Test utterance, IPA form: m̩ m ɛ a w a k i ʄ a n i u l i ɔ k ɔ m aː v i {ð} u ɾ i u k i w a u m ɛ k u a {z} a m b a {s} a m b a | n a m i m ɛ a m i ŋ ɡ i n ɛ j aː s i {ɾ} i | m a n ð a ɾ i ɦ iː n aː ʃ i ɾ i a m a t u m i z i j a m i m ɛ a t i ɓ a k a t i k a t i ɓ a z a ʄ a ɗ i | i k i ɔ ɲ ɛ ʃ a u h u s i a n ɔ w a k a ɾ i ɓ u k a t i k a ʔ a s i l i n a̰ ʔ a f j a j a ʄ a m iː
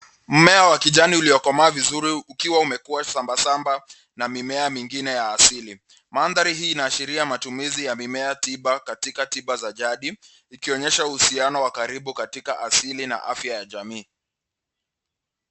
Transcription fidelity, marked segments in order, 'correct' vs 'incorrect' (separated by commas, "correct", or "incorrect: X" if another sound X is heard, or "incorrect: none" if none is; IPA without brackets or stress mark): incorrect: z, incorrect: s, correct, incorrect: l